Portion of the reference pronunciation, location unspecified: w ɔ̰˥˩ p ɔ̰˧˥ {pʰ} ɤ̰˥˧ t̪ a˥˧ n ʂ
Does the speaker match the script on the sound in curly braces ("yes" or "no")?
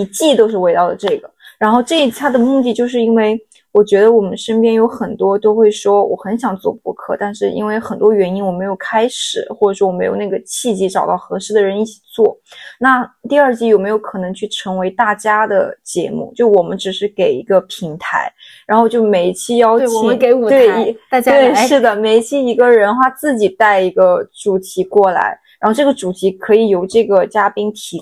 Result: no